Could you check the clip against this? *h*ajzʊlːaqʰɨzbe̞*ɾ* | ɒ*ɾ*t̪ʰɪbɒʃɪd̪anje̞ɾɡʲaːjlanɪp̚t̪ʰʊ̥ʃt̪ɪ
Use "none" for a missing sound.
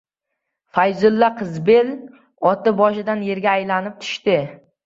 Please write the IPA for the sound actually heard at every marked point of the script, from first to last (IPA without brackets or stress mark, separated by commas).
f, l, none